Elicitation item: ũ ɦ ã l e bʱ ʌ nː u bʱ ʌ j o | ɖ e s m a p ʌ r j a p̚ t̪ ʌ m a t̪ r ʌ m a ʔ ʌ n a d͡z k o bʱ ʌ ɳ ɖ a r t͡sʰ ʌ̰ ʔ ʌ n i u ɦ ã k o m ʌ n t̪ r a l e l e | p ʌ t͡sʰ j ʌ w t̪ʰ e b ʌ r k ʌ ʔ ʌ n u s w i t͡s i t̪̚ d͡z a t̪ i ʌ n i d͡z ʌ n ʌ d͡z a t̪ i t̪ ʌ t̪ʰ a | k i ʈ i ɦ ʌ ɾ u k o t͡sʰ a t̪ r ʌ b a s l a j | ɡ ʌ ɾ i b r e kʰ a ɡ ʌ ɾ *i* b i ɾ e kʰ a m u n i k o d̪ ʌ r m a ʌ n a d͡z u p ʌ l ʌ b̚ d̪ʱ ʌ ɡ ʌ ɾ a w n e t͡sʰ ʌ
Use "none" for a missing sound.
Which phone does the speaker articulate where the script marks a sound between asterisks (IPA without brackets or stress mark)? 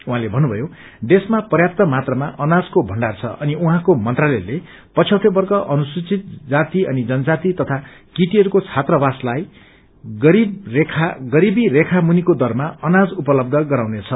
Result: i